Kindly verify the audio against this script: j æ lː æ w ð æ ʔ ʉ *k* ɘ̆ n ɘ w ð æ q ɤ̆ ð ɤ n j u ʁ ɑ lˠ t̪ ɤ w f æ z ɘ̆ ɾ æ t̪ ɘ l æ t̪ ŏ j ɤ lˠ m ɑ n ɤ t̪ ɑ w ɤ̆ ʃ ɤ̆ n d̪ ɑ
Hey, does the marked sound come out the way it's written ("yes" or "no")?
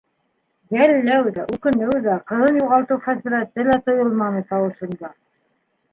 yes